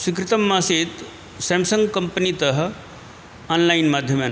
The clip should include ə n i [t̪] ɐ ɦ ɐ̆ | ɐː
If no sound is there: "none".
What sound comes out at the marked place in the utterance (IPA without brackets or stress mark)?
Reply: t̪